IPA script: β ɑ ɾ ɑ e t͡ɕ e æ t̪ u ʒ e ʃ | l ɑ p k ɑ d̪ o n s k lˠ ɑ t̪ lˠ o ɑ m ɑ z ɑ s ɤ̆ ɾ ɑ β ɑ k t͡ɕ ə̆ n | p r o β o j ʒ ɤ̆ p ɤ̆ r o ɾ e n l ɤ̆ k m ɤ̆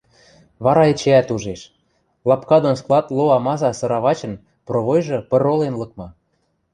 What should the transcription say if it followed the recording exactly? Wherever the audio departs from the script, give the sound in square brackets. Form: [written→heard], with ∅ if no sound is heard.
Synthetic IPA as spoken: β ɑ ɾ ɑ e t͡ɕ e æ t̪ u ʒ e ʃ | l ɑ p k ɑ d̪ o n s k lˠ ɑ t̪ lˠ o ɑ m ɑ z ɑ s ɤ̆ ɾ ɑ β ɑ [k→∅] t͡ɕ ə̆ n | p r o β o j ʒ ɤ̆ p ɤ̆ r o [ɾ→l] e n l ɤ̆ k m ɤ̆